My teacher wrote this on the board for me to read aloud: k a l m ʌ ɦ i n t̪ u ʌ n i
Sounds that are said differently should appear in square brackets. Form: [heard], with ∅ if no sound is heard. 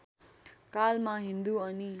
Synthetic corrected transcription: k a l m [a] ɦ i n [d̪] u ʌ n i